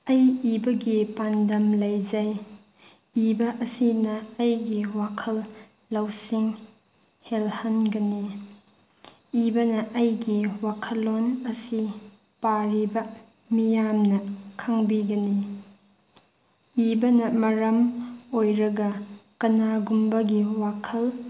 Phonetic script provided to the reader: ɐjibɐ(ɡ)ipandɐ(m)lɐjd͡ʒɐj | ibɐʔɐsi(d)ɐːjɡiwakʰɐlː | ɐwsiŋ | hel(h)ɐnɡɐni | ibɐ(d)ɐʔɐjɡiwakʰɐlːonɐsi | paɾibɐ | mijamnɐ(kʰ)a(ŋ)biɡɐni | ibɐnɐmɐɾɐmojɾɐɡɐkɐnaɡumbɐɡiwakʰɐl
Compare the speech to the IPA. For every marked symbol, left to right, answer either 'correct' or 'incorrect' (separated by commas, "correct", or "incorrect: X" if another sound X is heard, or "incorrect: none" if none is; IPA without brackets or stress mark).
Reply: correct, correct, incorrect: n, correct, incorrect: n, correct, correct